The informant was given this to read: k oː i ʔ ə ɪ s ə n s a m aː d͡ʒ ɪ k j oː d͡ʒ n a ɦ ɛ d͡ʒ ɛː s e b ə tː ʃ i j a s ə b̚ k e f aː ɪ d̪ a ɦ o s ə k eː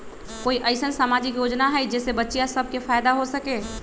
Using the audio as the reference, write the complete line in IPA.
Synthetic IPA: k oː i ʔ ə ɪ s ə n s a m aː d͡ʒ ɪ k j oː d͡ʒ n a ɦ ɛ d͡ʒ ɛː s e b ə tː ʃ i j a s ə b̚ k e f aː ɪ d̪ a ɦ o s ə k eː